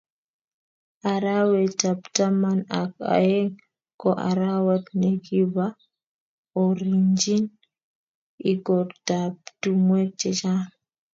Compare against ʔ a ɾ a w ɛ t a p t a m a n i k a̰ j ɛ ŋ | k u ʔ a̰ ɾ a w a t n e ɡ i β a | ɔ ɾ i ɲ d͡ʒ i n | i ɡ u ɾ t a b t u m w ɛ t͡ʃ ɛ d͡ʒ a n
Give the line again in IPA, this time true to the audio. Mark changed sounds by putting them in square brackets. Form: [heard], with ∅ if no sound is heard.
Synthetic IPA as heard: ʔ a ɾ a w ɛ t a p t a m a n [a] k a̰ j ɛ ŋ | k [ɔ] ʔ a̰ ɾ a w a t n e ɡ i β a | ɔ ɾ i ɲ d͡ʒ i n | i ɡ [ɔ] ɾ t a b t u m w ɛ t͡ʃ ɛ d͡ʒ a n